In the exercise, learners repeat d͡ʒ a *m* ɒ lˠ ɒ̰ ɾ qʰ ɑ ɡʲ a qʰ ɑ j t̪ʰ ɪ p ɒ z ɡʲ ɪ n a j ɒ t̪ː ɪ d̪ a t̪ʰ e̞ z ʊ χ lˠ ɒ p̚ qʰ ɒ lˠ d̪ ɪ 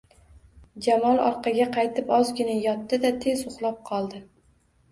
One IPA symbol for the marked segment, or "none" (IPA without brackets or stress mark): m